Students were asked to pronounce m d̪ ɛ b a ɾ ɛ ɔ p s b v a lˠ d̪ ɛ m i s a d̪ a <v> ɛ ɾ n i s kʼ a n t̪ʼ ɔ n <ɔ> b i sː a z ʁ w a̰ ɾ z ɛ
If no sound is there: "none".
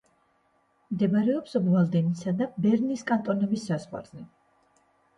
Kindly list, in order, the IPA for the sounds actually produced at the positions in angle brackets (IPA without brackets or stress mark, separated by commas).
b, ɔ